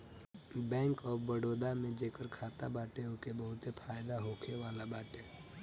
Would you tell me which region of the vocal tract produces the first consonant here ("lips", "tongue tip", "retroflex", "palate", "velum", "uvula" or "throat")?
lips